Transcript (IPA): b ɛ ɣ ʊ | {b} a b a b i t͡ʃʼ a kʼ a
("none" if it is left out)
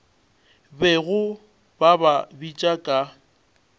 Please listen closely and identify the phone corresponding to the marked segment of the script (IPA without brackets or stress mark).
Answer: b